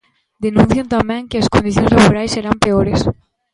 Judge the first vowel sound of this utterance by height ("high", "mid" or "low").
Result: mid